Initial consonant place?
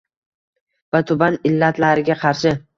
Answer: labial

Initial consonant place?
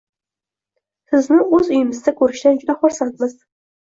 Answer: alveolar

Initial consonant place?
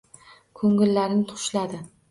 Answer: velar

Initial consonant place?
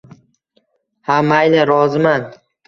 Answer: glottal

